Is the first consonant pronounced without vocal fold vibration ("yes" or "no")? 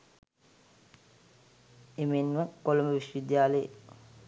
no